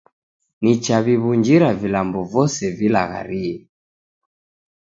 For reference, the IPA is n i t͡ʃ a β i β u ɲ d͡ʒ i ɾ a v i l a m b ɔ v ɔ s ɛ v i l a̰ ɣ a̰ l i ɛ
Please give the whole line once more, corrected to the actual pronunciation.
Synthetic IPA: n i t͡ʃ a β i β u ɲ d͡ʒ i ɾ a v i l a m b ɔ v ɔ s ɛ v i l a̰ ɣ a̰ ɾ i ɛ